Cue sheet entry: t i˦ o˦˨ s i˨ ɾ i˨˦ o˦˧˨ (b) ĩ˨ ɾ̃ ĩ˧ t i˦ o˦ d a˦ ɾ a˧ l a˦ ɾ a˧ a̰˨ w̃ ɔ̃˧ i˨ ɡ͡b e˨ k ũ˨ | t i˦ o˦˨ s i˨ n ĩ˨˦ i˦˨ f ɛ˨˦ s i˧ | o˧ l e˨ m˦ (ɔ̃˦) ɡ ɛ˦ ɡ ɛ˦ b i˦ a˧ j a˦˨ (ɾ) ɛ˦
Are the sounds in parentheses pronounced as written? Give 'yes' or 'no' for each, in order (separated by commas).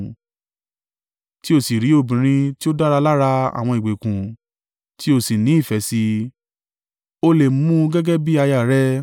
yes, no, yes